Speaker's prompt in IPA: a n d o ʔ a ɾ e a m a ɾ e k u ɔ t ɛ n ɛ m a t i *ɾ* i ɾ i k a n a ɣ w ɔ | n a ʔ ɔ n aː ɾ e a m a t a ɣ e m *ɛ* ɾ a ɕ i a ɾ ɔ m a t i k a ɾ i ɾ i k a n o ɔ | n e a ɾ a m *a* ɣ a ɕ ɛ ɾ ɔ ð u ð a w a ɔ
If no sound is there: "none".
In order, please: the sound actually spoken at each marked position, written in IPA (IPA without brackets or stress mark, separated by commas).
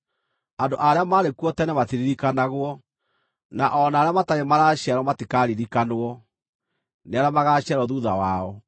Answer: ɾ, a, a